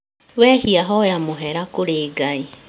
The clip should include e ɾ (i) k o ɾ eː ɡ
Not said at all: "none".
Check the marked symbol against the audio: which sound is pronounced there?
a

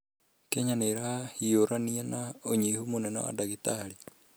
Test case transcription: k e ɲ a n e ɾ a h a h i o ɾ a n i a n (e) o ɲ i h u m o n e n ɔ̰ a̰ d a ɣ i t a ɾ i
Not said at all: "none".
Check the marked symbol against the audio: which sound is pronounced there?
a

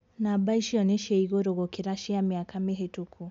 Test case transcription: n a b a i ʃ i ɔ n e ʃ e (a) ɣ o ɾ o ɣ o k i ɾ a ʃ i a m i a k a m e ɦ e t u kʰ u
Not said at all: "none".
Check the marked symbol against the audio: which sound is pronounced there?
i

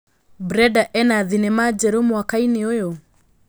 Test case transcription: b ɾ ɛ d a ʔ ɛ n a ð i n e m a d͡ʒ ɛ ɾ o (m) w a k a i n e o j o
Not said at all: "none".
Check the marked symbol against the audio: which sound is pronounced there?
m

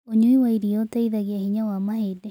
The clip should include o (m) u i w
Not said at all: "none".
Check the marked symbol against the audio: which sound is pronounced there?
ɲ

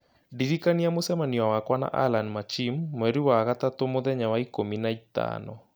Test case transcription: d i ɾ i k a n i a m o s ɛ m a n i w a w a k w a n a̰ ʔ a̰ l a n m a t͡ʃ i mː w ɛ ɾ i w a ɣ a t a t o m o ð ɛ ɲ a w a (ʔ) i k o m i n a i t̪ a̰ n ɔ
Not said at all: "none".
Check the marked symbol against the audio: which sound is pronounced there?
none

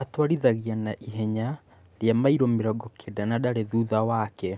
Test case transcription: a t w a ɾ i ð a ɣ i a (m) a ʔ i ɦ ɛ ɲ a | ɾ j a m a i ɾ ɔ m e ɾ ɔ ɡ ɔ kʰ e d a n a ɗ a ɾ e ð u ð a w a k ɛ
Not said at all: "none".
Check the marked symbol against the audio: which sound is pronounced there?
n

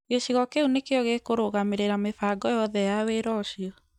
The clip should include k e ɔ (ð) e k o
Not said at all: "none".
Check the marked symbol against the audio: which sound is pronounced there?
ɣ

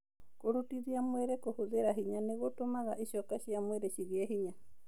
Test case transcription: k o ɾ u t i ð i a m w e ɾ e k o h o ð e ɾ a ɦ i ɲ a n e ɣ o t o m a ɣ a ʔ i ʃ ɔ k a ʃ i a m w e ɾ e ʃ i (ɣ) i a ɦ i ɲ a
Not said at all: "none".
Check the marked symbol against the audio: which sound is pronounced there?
ɣ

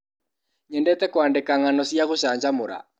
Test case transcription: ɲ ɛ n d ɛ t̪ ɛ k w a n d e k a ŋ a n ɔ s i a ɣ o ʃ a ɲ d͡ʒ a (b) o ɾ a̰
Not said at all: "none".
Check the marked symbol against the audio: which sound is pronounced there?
m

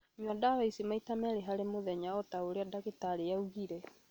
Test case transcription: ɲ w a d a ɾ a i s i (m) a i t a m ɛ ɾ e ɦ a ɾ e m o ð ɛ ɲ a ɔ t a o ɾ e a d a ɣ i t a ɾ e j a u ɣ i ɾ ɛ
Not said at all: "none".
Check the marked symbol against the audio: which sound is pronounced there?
m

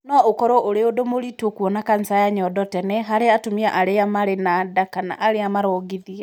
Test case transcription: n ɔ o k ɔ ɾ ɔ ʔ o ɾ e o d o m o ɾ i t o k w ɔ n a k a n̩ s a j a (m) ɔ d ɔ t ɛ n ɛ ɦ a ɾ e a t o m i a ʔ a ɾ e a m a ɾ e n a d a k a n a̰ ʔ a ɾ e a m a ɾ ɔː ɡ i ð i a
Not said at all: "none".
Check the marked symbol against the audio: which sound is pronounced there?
ɲ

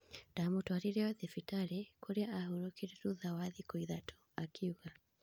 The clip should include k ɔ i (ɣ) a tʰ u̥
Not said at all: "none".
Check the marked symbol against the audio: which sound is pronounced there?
ð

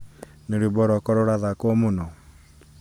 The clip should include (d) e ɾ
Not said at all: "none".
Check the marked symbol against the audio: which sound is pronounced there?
n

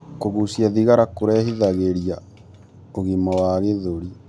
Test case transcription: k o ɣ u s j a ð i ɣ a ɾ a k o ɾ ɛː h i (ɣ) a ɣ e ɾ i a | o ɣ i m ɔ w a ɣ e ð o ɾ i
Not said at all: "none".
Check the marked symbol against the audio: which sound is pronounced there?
ð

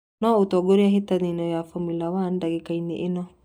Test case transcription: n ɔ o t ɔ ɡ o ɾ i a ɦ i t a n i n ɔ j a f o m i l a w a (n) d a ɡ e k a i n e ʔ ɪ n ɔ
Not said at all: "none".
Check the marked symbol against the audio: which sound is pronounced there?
n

